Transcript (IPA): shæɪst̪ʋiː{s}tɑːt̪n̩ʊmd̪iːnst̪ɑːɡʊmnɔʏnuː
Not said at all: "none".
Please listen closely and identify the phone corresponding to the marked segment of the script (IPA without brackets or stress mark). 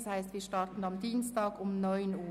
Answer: ʃ